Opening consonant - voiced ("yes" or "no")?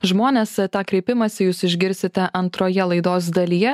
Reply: yes